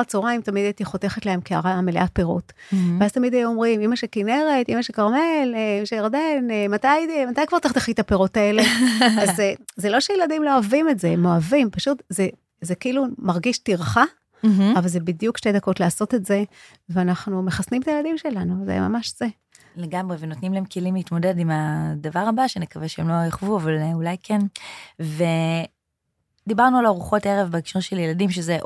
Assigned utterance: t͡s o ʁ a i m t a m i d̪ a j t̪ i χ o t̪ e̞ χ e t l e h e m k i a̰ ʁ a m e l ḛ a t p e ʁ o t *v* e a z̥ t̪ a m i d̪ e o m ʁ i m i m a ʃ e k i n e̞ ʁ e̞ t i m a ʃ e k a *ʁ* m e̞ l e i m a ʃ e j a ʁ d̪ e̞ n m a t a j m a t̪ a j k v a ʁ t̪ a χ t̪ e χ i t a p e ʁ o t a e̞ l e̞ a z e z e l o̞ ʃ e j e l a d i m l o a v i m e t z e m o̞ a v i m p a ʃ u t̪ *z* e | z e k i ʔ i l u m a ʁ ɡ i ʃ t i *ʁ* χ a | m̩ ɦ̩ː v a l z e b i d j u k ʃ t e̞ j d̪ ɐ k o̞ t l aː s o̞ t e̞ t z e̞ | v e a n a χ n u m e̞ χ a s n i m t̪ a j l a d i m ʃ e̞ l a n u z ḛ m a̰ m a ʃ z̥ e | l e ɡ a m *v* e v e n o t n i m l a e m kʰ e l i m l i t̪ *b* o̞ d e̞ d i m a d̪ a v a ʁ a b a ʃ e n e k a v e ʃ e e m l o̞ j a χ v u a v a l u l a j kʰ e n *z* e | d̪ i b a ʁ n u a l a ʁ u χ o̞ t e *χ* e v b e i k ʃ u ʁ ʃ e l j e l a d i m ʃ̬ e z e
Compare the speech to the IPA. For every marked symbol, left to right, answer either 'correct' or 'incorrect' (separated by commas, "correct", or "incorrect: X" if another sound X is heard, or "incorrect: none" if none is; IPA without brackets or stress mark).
correct, correct, correct, correct, incorrect: ʁ, incorrect: m, incorrect: v, incorrect: ʁ